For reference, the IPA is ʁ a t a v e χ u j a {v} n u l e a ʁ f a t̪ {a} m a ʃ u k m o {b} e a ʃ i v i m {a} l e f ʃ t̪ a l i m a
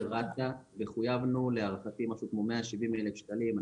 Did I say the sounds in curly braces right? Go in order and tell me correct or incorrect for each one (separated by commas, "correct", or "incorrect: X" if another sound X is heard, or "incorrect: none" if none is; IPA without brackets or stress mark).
correct, incorrect: i, incorrect: m, incorrect: e